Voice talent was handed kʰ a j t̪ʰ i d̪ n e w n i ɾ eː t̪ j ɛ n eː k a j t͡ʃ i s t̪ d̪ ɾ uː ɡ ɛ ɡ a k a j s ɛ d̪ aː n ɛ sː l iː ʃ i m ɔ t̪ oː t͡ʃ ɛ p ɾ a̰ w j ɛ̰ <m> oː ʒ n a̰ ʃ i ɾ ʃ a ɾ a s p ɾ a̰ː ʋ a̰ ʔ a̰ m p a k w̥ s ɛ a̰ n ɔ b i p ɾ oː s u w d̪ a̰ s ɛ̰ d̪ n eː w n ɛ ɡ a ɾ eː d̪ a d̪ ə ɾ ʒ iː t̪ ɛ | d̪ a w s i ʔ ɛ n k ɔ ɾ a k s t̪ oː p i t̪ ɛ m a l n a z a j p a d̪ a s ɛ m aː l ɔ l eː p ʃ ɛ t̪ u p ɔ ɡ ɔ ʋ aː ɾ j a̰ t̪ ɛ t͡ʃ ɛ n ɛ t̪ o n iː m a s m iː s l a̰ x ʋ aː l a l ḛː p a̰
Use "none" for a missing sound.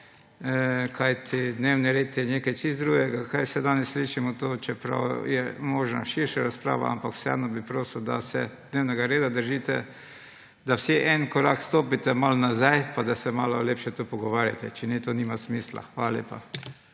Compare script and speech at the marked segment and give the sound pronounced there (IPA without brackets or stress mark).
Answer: m